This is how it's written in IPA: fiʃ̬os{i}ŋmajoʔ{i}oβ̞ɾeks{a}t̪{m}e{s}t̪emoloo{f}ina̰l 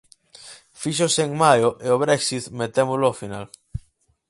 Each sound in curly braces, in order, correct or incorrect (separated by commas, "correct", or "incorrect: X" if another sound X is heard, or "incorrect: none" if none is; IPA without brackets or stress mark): incorrect: e, incorrect: e, incorrect: i, correct, incorrect: none, correct